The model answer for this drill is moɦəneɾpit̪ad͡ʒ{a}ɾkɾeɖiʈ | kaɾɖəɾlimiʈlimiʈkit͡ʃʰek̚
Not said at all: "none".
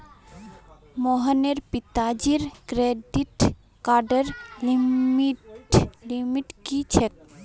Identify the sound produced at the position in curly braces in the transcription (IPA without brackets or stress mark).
i